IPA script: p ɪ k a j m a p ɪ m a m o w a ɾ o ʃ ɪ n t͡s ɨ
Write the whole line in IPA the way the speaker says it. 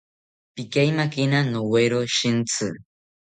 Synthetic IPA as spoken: p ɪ k a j m a k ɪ n a n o w e ɾ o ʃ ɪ n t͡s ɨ